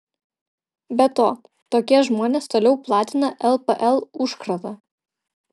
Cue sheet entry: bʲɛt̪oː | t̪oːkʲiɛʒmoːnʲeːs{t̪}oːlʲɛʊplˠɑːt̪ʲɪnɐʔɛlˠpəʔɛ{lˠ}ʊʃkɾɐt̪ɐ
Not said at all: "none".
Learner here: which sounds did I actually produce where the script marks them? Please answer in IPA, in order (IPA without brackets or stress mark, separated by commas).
t̪, lˠ